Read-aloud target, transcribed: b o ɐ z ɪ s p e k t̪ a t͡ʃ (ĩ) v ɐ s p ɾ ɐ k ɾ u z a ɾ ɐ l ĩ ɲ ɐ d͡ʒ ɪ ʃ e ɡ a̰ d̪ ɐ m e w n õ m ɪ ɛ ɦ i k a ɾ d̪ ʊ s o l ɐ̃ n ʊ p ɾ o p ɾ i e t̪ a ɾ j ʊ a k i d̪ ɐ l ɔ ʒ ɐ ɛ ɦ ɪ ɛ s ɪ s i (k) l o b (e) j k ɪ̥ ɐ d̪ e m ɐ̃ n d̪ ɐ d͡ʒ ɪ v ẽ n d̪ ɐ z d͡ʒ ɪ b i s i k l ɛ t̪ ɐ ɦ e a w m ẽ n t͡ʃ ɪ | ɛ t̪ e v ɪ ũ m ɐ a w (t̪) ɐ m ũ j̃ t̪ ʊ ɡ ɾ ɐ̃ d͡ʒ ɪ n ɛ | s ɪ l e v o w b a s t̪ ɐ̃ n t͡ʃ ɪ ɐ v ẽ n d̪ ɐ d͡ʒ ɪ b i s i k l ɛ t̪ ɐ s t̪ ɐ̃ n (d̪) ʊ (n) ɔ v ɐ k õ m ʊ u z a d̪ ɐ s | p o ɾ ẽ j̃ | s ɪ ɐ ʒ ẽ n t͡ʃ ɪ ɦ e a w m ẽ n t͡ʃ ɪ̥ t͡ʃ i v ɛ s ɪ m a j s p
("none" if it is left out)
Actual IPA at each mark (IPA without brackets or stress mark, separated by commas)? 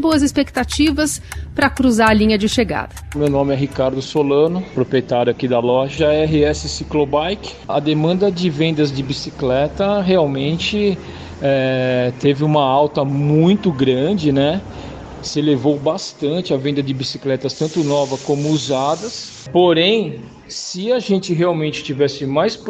i, k, a, t̪, t̪, n